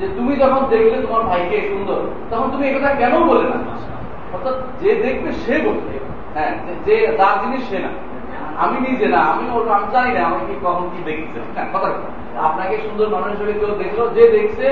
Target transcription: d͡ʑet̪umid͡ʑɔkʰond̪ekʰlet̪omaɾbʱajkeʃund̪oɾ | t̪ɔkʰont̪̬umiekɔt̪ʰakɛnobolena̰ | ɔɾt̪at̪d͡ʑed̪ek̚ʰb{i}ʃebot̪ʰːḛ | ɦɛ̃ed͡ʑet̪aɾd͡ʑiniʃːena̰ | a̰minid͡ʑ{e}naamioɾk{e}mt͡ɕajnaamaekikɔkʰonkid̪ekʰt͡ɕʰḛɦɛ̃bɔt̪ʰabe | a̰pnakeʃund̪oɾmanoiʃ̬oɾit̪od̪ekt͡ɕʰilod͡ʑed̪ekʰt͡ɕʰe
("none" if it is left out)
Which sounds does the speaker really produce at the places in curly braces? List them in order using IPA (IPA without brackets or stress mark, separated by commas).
e, e, a